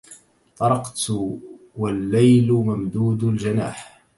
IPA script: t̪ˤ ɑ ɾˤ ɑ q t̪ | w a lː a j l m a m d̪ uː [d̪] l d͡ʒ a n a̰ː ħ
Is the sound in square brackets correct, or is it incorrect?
correct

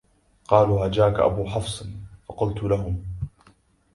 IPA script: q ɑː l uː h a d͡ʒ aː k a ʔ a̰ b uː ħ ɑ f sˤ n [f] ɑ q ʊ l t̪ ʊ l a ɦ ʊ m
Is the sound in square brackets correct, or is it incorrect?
correct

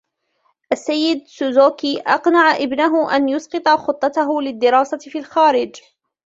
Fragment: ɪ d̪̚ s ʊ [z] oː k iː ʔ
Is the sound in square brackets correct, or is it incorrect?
correct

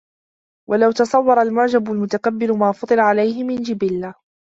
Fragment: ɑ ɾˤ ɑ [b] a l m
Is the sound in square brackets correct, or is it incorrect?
incorrect: none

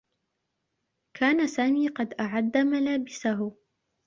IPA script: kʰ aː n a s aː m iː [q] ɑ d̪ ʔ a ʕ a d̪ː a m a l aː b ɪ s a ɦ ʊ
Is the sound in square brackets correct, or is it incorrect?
correct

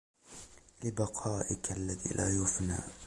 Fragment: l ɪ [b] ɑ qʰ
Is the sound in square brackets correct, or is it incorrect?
correct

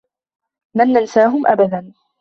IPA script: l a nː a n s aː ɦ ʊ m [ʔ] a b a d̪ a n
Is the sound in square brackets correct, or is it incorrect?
correct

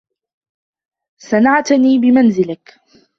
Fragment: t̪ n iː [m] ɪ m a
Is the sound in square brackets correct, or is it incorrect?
incorrect: b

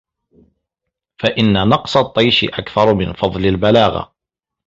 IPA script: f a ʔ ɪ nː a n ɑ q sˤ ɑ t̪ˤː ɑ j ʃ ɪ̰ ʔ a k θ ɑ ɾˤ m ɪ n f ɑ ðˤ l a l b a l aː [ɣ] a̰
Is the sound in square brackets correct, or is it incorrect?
correct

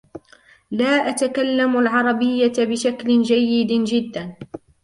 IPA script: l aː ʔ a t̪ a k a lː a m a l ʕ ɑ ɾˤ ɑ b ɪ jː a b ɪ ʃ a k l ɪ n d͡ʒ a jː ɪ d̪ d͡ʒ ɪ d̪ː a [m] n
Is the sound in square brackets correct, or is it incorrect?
incorrect: none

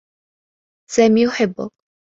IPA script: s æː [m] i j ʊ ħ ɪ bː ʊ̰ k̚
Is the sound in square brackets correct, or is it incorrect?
correct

